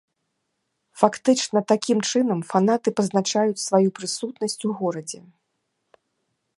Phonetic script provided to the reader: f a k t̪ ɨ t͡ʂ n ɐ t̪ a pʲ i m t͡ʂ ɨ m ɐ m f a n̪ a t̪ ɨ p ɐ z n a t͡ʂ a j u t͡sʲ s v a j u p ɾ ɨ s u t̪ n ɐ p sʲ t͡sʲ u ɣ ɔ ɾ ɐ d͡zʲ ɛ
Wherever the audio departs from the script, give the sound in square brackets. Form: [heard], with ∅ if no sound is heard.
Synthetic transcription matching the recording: f a k t̪ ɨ t͡ʂ n ɐ t̪ a [kʲ] i m t͡ʂ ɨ [n] ɐ m f a n̪ a t̪ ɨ p ɐ z n a t͡ʂ a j u t͡sʲ s v a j u p ɾ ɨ s u t̪ n ɐ [∅] sʲ t͡sʲ u ɣ ɔ ɾ ɐ d͡zʲ ɛ